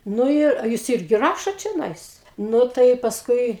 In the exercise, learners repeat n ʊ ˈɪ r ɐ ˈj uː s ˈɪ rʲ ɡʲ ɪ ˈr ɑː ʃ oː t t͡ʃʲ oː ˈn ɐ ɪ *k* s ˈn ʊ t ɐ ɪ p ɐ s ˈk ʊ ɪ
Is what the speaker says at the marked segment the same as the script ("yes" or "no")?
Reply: no